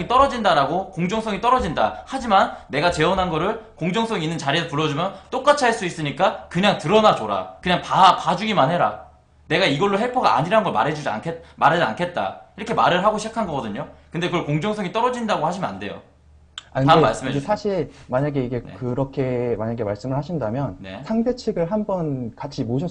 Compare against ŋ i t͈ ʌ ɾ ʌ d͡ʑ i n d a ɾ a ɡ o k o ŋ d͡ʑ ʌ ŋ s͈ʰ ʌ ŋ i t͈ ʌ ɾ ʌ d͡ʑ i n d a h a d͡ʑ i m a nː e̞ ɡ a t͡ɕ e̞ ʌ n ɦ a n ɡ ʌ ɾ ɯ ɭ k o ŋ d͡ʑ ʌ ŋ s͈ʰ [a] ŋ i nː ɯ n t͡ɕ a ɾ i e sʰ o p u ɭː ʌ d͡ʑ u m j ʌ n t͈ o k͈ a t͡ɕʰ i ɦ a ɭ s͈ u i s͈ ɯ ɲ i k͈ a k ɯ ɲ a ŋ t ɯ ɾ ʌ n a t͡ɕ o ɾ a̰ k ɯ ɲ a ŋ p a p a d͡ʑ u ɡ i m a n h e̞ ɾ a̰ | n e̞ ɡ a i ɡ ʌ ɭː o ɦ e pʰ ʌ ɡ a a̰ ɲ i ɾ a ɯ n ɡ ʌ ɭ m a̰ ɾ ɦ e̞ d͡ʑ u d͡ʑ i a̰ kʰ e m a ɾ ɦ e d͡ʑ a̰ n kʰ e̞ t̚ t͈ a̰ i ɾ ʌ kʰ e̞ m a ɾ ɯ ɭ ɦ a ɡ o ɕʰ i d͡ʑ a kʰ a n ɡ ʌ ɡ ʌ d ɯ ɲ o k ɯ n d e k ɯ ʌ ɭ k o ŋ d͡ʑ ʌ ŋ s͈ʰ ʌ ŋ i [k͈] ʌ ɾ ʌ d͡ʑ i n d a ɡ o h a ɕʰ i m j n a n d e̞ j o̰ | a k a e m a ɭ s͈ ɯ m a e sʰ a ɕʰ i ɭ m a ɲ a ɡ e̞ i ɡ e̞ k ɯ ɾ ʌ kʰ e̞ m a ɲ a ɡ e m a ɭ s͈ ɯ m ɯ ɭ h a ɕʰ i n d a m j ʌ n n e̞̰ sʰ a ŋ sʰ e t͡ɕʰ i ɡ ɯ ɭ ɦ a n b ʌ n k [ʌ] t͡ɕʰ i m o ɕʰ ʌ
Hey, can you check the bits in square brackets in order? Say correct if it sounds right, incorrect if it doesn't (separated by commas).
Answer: incorrect, incorrect, incorrect